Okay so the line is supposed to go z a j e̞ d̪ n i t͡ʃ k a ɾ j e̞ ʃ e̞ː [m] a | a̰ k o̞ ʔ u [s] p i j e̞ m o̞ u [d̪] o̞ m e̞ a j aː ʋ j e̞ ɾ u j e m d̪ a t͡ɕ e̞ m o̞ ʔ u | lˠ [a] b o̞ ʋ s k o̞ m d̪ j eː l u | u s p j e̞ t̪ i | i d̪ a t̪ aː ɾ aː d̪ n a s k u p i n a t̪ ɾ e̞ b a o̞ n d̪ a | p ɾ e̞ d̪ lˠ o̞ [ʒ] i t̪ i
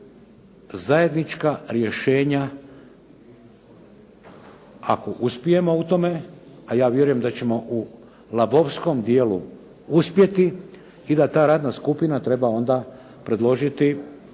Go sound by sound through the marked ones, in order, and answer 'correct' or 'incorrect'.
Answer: incorrect: ɲ, correct, incorrect: t̪, correct, correct

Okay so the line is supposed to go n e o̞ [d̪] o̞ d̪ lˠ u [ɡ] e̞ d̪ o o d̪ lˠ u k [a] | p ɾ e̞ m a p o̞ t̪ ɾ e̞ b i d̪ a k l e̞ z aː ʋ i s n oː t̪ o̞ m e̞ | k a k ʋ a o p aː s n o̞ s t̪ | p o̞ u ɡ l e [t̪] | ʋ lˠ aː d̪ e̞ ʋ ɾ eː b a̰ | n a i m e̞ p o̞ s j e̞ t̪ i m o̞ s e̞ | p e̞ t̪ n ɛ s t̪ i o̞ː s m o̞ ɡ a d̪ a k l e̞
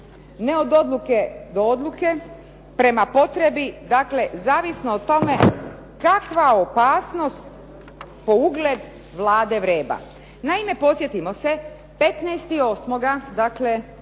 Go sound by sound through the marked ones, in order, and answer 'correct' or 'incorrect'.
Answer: correct, incorrect: k, incorrect: e, incorrect: d̪

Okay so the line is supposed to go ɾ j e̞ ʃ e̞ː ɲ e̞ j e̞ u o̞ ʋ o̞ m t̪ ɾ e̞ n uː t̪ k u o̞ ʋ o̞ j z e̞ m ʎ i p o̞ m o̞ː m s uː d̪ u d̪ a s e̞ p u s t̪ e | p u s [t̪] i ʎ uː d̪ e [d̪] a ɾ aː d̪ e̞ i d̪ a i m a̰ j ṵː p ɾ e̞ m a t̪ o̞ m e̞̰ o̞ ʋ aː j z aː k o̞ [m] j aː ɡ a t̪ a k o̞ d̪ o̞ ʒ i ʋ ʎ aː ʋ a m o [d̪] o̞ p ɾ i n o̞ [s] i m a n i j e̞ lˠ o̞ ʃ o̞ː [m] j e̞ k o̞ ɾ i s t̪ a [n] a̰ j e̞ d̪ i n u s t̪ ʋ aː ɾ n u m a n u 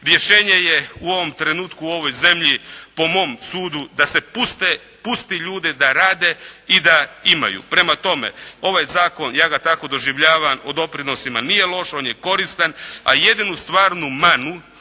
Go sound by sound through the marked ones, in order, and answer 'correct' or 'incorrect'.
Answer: correct, correct, incorrect: n, correct, correct, incorrect: n, correct

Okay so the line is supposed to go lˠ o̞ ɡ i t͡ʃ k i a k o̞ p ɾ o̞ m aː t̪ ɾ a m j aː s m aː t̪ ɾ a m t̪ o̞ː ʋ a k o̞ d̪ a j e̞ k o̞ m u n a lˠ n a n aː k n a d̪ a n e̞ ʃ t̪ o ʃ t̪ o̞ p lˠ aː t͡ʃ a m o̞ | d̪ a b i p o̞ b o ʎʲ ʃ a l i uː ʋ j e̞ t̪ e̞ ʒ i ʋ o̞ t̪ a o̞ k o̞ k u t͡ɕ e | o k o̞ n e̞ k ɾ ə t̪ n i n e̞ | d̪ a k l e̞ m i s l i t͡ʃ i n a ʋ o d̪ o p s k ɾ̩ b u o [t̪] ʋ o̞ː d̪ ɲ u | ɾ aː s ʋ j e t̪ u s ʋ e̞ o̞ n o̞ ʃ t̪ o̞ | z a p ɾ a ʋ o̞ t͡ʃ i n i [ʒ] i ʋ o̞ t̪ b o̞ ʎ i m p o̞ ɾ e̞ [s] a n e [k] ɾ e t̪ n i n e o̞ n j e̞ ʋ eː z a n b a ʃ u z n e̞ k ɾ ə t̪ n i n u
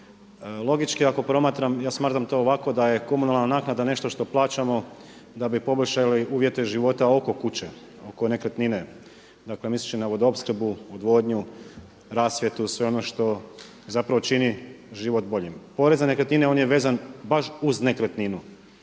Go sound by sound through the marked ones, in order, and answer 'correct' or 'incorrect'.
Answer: incorrect: d̪, correct, incorrect: z, correct

